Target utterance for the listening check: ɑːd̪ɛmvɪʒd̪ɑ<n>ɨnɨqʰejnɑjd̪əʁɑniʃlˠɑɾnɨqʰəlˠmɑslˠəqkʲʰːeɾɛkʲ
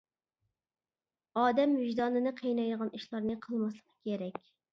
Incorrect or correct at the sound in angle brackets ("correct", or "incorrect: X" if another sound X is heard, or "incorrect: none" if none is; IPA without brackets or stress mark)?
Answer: correct